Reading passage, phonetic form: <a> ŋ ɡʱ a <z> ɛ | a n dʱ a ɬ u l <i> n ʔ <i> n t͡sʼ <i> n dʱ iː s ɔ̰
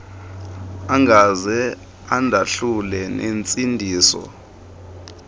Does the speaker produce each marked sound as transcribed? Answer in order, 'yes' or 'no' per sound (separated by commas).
yes, yes, no, no, yes